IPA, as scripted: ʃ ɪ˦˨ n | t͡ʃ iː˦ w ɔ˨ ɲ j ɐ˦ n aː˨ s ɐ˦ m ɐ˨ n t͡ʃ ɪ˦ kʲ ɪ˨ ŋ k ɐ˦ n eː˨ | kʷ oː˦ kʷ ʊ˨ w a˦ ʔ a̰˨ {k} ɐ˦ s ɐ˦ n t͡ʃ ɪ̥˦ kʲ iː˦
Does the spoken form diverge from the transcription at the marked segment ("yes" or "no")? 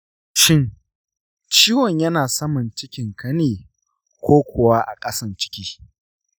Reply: yes